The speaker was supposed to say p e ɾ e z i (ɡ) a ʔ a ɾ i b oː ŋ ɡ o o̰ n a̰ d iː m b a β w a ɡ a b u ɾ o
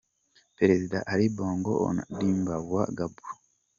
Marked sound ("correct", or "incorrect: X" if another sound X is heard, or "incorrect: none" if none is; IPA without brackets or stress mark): incorrect: d